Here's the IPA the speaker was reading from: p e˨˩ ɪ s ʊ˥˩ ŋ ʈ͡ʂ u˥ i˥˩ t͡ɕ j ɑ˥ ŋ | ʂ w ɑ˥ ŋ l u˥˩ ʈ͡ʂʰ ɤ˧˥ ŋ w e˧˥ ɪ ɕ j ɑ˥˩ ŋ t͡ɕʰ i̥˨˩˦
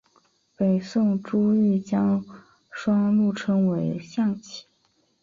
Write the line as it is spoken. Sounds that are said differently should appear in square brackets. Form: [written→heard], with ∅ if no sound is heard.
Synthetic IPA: p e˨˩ ɪ s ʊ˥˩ ŋ ʈ͡ʂ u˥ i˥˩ t͡ɕ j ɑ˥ ŋ | ʂ w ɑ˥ ŋ l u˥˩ ʈ͡ʂʰ [ɤ˧˥→ɤ˥] ŋ w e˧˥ ɪ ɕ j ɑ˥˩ ŋ t͡ɕʰ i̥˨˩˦